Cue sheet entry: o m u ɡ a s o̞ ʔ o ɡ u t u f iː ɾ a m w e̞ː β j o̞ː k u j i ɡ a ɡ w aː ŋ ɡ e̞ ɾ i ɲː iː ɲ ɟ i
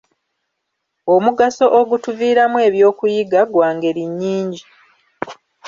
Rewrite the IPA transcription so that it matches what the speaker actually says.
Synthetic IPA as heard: o m u ɡ a s o̞ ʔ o ɡ u t u v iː ɾ a m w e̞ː β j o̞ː k u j i ɡ a ɡ w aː ŋ ɡ e̞ ɾ i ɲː iː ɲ ɟ i